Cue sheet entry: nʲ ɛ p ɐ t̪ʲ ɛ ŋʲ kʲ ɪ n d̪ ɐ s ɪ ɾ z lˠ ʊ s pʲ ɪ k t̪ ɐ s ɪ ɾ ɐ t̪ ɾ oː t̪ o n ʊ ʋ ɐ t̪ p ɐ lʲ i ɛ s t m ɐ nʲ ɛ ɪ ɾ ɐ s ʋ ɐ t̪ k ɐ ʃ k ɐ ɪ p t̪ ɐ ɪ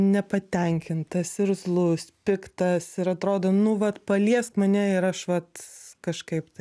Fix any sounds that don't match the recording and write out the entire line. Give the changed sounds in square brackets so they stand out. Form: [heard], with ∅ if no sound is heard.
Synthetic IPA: nʲ ɛ p ɐ t̪ʲ ɛ ŋʲ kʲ ɪ n [t̪] ɐ s ɪ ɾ z lˠ ʊ s pʲ ɪ k t̪ ɐ s ɪ ɾ ɐ t̪ ɾ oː [d̪] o n ʊ ʋ ɐ t̪ p ɐ lʲ i ɛ s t m ɐ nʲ ɛ ɪ ɾ ɐ [ʃ] ʋ ɐ t̪ k ɐ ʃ k ɐ ɪ p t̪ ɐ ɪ